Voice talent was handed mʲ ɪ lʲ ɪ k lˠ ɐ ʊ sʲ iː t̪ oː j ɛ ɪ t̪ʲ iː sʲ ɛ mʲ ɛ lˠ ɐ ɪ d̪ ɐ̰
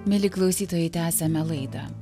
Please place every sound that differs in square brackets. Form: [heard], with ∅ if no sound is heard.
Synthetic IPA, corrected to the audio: mʲ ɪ lʲ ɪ k lˠ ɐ ʊ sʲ iː t̪ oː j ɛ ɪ t̪ʲ [æː] sʲ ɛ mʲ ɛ lˠ ɐ ɪ d̪ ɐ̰